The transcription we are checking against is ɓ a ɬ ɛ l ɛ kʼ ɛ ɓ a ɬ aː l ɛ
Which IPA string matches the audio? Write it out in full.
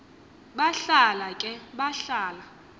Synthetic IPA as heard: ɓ a ɬ a l a kʼ ɛ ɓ a ɬ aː l a